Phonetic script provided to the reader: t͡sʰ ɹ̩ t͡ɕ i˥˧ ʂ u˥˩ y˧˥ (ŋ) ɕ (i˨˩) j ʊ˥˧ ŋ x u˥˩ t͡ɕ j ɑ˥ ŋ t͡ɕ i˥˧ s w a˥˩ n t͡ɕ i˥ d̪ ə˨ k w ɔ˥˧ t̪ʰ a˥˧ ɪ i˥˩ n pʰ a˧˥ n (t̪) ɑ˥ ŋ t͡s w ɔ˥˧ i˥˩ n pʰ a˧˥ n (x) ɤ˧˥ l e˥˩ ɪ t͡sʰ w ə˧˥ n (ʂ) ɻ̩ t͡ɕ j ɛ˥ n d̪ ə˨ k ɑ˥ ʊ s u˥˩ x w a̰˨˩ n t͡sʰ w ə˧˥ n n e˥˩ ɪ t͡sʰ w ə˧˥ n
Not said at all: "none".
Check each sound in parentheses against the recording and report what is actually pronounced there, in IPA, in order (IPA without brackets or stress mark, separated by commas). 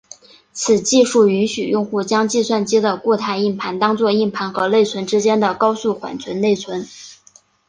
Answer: n, y˨˩, t̪, x, ʈ͡ʂ